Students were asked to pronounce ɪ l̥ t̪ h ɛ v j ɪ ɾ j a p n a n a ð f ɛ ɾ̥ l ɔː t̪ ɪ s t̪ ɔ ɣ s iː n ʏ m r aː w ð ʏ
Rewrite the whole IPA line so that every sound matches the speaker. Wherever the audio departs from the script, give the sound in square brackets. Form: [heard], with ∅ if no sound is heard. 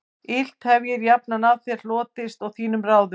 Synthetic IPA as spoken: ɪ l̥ t̪ h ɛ v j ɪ ɾ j a p n a n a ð [θ] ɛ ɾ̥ l ɔː t̪ ɪ s t̪ ɔ ɣ [θ] iː n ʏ m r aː w ð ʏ